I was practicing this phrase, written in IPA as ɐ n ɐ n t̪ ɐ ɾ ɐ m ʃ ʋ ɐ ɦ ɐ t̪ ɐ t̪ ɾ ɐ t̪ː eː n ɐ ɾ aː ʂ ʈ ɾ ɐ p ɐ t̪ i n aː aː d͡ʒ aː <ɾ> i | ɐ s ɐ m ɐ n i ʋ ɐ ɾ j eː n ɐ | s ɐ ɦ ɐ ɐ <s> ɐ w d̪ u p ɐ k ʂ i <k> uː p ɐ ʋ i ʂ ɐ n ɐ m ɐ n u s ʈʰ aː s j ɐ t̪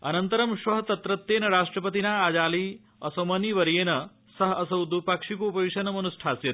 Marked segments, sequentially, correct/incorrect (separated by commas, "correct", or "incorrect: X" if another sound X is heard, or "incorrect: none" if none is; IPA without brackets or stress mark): incorrect: l, correct, correct